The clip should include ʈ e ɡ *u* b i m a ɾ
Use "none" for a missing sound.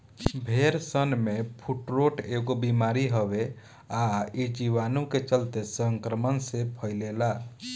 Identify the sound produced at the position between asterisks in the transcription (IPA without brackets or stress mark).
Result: o